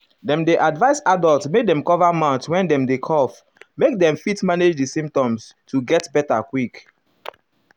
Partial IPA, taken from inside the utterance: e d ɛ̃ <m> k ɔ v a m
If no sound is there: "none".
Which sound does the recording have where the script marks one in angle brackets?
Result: m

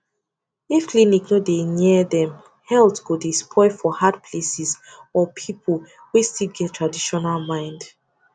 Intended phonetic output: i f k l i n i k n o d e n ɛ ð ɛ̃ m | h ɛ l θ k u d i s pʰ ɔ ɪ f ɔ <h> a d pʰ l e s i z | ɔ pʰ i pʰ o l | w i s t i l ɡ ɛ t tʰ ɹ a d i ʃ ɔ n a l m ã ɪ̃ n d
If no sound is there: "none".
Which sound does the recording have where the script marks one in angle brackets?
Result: h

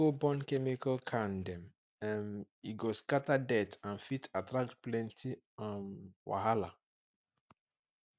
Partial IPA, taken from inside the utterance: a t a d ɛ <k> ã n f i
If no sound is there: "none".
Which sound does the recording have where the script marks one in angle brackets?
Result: t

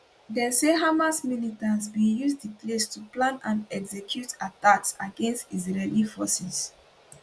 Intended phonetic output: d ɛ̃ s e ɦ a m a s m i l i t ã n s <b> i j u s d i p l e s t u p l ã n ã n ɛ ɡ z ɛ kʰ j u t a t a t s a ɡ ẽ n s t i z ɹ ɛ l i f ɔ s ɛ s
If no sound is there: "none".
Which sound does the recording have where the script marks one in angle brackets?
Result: b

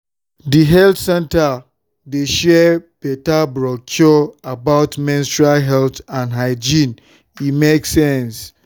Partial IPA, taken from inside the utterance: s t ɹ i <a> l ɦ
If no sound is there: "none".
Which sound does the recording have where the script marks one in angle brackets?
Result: a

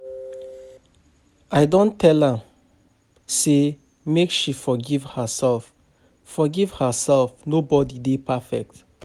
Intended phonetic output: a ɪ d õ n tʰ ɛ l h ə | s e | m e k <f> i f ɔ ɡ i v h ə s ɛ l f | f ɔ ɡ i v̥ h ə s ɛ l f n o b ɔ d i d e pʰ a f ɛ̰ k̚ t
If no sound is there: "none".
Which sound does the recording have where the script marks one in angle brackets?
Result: ʃ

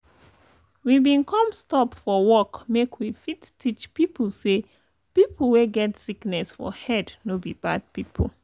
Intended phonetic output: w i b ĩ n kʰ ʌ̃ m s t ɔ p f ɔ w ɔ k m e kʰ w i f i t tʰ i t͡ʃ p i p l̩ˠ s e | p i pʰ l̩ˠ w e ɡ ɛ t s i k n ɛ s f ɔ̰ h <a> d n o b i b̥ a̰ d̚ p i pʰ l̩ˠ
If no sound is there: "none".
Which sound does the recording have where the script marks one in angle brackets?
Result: ɛ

